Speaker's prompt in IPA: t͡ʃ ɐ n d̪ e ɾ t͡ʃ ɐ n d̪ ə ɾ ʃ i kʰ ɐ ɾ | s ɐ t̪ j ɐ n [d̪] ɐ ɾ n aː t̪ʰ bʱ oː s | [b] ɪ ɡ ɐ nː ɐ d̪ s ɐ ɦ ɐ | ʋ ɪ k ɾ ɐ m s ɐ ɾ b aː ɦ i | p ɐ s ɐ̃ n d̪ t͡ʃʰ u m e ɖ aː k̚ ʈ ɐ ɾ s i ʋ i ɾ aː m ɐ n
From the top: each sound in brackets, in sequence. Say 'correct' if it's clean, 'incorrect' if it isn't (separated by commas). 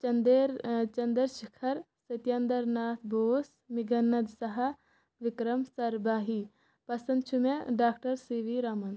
correct, incorrect